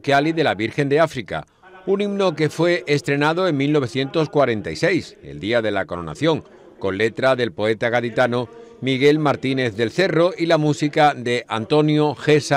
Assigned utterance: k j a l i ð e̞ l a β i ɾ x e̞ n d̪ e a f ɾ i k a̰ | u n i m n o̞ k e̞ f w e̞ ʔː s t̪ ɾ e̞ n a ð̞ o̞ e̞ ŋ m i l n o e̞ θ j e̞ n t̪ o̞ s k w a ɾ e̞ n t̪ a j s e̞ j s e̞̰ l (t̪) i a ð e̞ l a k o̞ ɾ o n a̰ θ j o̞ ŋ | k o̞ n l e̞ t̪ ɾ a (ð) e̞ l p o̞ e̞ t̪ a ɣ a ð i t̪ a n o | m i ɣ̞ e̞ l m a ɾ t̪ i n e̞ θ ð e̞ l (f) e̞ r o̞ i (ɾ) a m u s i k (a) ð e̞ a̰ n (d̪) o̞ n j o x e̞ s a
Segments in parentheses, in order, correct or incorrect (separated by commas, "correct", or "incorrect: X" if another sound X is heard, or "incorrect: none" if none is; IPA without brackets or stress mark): incorrect: d̪, correct, incorrect: θ, incorrect: l, correct, incorrect: t̪